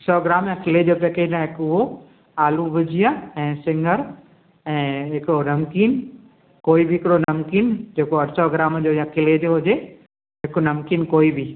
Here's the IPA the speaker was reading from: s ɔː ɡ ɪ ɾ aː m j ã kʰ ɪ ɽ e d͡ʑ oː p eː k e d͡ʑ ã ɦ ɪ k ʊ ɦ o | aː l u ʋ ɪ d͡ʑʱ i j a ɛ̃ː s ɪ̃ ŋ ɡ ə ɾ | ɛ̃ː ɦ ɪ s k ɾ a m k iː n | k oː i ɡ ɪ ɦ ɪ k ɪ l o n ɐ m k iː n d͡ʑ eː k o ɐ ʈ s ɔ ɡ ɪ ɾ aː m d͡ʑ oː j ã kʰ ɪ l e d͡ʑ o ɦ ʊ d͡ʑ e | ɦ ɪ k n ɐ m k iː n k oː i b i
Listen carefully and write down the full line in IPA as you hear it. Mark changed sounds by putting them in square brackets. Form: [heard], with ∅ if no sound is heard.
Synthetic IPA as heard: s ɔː ɡ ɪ ɾ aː m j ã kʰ ɪ [l] e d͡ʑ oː p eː k e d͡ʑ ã ɦ ɪ k ʊ ɦ o | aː l u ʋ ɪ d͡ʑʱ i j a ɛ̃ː s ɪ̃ ŋ ɡ ə ɾ | ɛ̃ː ɦ ɪ [∅] k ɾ [ɐ] m k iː n | k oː i [b] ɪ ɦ ɪ k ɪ [ɽ] o n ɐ m k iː n d͡ʑ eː k o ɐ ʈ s ɔ ɡ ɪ ɾ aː m d͡ʑ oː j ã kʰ ɪ l e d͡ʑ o ɦ ʊ d͡ʑ e | ɦ ɪ k n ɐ m k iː n k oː i b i